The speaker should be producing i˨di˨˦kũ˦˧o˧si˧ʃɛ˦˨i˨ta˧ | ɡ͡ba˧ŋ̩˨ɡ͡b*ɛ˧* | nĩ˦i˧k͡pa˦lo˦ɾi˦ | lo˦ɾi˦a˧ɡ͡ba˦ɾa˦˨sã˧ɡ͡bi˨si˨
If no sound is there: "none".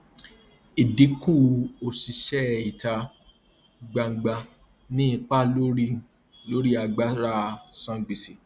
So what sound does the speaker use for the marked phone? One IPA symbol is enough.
a˧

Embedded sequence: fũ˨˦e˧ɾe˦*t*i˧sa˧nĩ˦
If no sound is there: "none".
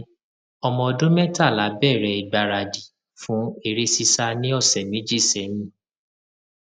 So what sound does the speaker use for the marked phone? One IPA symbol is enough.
s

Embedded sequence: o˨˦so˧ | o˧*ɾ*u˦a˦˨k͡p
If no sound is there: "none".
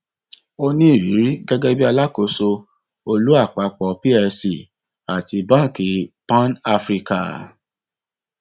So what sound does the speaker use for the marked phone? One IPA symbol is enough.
l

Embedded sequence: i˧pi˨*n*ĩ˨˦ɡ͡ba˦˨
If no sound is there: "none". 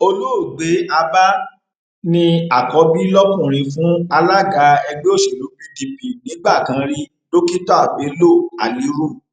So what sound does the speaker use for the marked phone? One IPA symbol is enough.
n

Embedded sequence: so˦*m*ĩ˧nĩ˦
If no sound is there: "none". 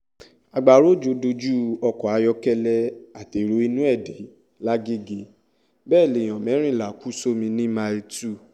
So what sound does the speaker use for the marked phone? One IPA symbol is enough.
m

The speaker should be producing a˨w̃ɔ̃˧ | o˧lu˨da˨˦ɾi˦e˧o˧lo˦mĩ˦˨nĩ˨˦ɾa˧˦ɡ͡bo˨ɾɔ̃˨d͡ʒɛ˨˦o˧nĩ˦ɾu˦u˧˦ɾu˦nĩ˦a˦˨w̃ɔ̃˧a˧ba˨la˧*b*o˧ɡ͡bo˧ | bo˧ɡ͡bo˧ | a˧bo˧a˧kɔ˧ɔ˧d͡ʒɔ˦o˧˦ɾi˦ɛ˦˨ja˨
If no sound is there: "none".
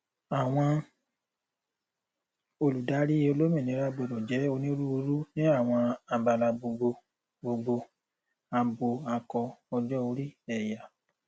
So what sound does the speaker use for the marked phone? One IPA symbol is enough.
b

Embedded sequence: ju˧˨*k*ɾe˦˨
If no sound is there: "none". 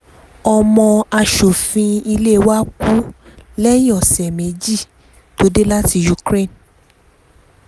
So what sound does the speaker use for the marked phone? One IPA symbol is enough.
k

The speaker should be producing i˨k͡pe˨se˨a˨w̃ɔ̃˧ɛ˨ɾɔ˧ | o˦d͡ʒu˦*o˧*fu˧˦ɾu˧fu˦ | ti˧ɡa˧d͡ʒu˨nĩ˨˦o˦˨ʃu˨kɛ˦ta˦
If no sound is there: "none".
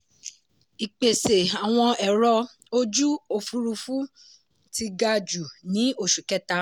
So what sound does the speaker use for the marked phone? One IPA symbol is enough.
o˧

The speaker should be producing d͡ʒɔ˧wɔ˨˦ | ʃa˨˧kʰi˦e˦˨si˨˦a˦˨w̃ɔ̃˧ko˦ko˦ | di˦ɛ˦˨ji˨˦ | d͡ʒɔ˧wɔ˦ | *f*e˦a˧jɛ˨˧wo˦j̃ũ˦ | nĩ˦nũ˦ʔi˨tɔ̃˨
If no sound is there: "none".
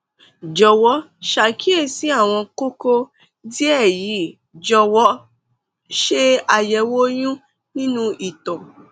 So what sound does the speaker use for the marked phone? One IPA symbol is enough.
ʃ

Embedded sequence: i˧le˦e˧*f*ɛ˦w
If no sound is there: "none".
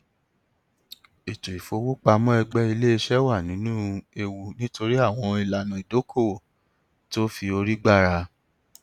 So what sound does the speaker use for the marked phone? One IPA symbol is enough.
ʃ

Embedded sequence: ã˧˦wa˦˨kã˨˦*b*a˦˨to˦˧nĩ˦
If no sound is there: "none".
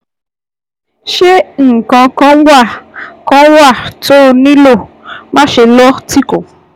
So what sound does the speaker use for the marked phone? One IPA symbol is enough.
w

